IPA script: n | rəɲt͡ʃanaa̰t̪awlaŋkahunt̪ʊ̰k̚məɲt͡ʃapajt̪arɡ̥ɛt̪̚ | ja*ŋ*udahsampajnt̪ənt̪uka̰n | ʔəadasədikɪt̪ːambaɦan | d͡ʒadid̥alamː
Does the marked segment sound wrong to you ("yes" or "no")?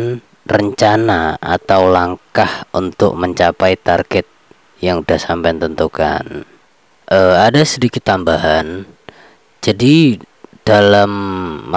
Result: no